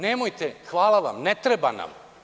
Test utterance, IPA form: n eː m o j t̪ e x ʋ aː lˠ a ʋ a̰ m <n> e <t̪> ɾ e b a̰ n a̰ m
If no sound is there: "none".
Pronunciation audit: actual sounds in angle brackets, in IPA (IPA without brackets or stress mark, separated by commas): n, t̪